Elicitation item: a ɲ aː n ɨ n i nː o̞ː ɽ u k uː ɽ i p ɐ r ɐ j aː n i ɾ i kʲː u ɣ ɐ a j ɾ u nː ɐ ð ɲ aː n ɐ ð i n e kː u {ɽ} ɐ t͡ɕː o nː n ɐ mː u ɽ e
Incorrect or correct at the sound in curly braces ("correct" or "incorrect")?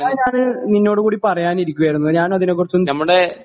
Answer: incorrect